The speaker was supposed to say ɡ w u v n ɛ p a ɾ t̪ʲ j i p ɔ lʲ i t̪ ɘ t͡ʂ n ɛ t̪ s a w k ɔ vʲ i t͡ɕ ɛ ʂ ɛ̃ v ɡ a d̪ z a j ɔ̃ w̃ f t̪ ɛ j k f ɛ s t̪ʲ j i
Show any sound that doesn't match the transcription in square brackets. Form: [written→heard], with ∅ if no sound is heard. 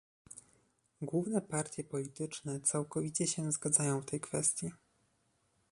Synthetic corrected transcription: ɡ w u v n ɛ p a ɾ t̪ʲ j [i→ɛ] p ɔ lʲ i t̪ ɘ t͡ʂ n ɛ t̪ s a w k ɔ vʲ i t͡ɕ ɛ [ʂ→ɕ] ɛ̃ [v→z] ɡ a d̪ z a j ɔ̃ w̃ f t̪ ɛ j k f ɛ s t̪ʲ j i